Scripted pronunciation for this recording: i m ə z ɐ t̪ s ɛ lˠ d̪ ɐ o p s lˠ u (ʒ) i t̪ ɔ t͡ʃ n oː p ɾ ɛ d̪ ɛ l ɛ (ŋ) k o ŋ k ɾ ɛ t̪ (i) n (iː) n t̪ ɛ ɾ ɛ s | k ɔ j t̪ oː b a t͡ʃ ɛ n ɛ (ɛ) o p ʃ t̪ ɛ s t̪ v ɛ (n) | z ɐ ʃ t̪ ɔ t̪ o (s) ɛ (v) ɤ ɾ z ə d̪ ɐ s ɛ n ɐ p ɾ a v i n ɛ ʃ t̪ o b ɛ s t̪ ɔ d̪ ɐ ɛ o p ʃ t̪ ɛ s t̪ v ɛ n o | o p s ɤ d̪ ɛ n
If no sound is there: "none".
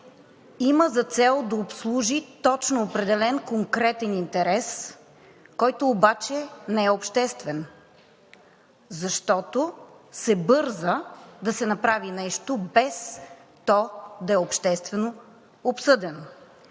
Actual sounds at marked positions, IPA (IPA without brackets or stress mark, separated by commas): ʒ, n, ɛ, i, ɛ, n, s, b